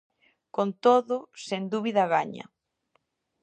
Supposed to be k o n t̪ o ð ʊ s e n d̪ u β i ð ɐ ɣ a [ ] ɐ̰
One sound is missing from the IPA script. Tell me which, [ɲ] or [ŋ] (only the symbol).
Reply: ɲ